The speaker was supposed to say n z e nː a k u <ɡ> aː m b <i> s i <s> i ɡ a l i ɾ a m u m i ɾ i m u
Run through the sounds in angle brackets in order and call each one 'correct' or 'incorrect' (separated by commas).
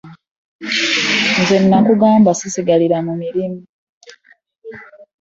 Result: correct, incorrect, correct